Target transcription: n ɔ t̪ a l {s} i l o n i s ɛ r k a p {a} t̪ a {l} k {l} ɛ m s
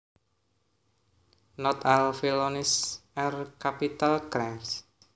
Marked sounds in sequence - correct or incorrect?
incorrect: f, incorrect: i, correct, incorrect: ɾ

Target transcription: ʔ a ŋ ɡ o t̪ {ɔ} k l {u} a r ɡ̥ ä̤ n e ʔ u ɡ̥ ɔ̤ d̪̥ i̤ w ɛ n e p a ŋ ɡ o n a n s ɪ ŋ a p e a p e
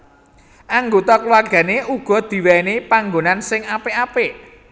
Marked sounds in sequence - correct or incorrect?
correct, incorrect: w

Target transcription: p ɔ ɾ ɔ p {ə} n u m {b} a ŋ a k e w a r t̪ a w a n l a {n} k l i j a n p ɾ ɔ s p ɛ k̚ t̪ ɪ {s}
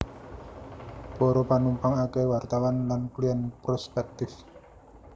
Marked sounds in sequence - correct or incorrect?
incorrect: a, incorrect: p, correct, incorrect: f

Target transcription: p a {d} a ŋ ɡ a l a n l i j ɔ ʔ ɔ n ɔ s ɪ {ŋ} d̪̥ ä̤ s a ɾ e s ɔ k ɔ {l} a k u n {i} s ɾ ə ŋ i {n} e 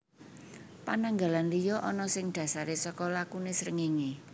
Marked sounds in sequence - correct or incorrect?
incorrect: n, correct, correct, incorrect: e, incorrect: ŋ

